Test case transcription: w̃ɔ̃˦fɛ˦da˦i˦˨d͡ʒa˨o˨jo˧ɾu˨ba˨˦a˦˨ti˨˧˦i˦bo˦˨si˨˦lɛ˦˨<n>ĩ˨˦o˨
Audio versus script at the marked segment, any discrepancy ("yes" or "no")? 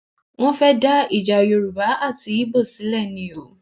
no